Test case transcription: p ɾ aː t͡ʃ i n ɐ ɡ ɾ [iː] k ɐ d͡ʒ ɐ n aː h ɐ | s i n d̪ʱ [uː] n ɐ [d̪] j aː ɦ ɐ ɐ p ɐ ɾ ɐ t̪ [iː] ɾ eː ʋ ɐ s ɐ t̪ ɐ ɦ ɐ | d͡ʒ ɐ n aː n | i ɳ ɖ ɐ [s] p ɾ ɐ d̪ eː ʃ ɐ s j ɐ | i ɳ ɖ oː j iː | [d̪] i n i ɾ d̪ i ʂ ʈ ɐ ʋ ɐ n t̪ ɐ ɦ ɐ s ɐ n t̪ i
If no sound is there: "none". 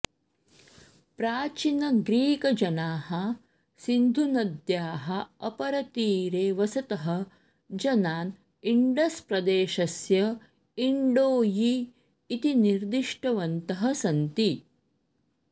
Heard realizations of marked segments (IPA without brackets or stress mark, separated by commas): iː, u, d̪, iː, s, t̪